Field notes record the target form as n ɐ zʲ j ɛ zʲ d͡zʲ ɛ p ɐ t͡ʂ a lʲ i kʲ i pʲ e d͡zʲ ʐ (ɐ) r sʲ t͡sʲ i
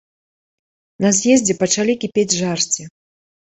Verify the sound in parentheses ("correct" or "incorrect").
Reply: incorrect